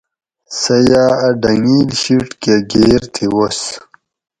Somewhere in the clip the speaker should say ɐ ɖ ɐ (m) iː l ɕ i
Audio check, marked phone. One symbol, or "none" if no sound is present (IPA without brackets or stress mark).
ŋ